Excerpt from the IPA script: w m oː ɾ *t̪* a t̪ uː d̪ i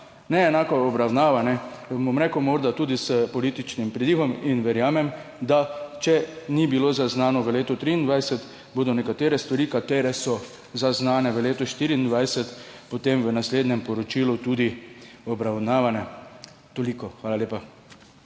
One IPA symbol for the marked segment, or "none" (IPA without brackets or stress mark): d̪